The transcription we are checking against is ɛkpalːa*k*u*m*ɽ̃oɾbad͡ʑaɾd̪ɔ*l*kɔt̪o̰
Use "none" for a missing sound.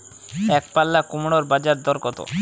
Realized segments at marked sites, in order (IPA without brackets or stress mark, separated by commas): k, m, ɾ